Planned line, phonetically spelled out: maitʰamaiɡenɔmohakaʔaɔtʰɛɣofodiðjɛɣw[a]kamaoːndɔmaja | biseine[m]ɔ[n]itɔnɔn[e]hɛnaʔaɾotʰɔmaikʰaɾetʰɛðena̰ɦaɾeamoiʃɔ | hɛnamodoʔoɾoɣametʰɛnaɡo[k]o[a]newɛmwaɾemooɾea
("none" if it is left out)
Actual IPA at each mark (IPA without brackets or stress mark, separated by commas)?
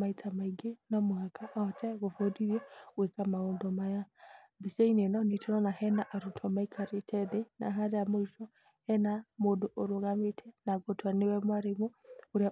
e, n, n, a, t, a